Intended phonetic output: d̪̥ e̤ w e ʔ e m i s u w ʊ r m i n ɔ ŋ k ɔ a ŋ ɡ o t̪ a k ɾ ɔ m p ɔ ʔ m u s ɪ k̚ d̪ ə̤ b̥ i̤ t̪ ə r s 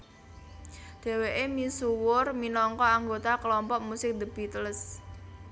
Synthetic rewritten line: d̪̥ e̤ w e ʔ e m i s u w ʊ r m i n ɔ ŋ k ɔ a ŋ ɡ o t̪ a k l ɔ m p ɔ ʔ m u s ɪ k̚ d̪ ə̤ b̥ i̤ t̪ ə l s